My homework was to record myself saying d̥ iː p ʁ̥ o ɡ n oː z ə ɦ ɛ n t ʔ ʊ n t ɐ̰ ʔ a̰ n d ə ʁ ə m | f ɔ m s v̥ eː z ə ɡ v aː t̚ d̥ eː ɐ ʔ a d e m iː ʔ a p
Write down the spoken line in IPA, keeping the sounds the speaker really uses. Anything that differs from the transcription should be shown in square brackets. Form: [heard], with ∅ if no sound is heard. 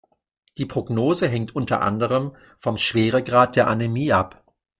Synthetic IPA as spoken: d̥ iː p ʁ̥ o ɡ n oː z ə ɦ ɛ [ŋ] t ʔ ʊ n t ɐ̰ ʔ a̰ n d ə ʁ ə m | f ɔ m [ʃ] v̥ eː [ʁ] ə ɡ [ʁ] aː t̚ d̥ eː ɐ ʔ a [n] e m iː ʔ a p